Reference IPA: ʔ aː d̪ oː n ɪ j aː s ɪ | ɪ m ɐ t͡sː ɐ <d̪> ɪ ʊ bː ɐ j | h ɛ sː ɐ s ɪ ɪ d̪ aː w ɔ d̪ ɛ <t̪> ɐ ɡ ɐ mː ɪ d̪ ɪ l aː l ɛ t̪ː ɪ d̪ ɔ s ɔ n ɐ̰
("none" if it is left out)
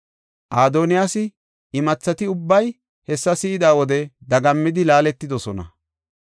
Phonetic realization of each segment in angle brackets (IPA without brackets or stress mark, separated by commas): t̪, d̪